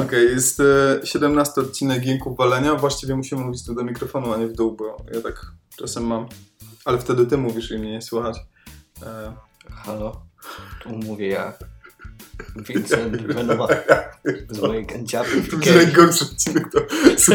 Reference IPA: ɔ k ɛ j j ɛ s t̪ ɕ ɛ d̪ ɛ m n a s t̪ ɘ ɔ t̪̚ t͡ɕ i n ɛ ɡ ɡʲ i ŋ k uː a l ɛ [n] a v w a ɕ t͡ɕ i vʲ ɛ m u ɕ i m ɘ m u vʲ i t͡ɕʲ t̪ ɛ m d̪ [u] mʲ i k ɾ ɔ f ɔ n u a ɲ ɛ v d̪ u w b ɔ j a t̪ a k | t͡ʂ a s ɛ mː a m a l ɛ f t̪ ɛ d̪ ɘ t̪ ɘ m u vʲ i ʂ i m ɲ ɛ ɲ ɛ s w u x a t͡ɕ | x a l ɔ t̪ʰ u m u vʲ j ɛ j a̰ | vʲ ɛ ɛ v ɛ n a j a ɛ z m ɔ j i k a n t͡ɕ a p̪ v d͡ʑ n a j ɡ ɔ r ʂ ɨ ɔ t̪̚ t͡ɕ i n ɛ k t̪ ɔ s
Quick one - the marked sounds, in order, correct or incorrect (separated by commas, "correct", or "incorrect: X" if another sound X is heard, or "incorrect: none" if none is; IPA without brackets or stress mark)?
incorrect: ɲ, incorrect: ɔ